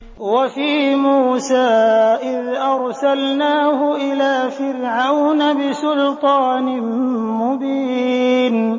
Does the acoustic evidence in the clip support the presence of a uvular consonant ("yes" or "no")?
no